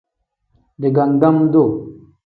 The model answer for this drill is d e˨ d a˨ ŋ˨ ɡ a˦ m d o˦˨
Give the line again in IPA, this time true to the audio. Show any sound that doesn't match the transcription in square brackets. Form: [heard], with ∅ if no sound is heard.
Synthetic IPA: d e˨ [ɡ] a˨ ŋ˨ ɡ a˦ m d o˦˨